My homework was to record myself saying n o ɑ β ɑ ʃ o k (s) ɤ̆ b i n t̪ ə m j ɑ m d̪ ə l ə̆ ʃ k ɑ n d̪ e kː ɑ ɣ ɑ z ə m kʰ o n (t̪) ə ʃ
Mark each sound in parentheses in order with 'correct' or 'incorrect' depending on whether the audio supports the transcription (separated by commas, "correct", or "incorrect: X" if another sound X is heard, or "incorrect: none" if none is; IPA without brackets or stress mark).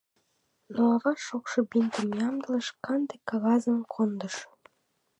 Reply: incorrect: ʃ, incorrect: d̪